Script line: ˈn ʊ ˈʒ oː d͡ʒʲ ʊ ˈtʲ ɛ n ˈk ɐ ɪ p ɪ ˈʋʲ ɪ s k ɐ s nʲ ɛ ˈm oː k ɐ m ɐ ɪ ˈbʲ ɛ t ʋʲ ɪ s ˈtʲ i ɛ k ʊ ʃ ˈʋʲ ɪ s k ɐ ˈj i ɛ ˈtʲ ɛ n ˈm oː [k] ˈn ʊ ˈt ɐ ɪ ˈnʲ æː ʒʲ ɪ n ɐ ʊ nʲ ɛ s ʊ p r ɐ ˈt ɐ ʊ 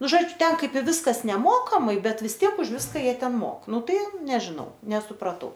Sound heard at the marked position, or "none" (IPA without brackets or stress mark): k